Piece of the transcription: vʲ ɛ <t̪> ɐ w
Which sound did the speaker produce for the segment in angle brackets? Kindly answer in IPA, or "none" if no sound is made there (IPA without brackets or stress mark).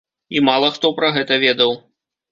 d̪